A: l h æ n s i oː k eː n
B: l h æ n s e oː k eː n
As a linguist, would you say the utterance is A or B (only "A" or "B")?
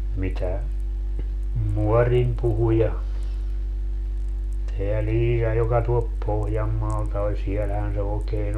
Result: B